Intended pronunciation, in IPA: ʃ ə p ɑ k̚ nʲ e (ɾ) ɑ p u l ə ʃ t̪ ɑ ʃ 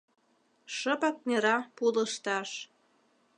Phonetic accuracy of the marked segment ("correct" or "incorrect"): correct